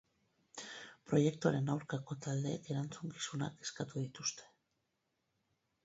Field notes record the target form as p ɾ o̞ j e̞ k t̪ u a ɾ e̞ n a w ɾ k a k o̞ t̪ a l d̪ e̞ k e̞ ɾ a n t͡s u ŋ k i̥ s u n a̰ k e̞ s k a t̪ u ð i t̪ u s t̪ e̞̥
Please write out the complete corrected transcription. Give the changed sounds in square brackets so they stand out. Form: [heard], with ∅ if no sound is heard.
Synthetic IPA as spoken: p ɾ o̞ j e̞ k t̪ u a ɾ e̞ n a w ɾ k a k o̞ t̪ a l d̪ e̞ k e̞ ɾ a n t͡s u ŋ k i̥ s u n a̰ k e̞ s k a t̪ u ð i t̪ u s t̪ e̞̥